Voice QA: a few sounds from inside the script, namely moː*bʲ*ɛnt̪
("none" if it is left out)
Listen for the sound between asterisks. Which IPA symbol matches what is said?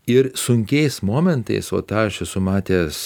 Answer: mʲ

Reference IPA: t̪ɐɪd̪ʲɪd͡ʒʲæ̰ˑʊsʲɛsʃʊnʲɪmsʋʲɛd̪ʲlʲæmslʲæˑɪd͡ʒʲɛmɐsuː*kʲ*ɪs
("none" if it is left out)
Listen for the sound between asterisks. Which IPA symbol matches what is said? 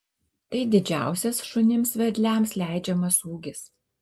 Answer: ɡʲ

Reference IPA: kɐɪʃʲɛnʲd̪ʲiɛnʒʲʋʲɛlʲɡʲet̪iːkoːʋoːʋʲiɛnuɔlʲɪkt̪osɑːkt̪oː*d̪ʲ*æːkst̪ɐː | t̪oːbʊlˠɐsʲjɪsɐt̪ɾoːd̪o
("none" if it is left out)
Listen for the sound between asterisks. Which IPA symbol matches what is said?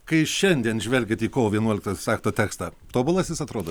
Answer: t̪ʲ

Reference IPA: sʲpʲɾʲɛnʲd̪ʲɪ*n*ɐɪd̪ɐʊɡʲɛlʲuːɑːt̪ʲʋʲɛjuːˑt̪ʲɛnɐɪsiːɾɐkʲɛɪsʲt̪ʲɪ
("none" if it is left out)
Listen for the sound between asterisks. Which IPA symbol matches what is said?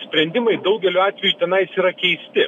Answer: m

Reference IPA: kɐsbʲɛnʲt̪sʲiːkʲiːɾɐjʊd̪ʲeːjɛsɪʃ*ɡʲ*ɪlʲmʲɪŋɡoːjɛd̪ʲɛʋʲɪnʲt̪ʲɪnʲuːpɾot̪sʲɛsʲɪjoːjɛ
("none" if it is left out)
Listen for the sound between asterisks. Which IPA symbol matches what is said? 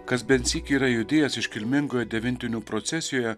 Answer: kʲ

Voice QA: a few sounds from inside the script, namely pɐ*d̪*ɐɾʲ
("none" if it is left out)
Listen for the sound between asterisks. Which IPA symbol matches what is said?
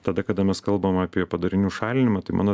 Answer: d̪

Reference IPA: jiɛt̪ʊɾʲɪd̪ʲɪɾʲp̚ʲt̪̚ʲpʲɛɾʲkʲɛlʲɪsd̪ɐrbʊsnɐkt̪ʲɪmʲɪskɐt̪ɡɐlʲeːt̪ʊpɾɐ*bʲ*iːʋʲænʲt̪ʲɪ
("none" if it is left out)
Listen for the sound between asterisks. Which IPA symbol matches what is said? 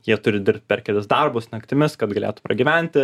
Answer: ɡʲ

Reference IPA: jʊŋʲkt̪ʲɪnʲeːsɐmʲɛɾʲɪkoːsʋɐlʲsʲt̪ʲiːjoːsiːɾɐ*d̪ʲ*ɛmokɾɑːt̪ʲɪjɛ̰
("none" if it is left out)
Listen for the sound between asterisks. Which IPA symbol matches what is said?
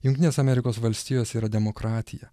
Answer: d̪ʲ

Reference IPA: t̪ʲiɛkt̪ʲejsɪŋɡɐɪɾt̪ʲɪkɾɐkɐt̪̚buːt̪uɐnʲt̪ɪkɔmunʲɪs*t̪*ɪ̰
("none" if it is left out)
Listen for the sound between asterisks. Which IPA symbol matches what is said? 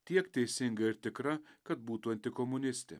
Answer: t̪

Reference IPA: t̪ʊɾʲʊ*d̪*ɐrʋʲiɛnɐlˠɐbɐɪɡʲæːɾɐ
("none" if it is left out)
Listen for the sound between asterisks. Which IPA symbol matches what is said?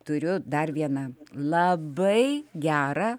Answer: d̪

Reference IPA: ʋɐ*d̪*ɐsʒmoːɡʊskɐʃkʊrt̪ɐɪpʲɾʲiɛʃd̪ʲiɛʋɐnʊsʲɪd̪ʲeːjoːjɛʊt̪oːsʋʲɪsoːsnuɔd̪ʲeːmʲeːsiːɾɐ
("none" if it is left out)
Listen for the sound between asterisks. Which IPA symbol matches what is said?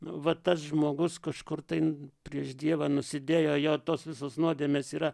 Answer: t̪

